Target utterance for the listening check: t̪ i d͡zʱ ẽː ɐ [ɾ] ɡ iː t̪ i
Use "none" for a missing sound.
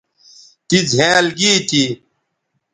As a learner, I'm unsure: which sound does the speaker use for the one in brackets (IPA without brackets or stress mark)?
l